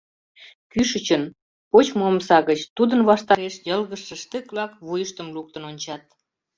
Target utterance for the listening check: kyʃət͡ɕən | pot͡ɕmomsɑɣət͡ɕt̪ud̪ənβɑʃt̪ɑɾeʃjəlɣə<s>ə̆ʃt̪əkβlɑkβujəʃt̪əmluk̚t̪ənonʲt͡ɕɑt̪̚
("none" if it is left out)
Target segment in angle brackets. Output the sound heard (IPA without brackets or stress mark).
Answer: ʃ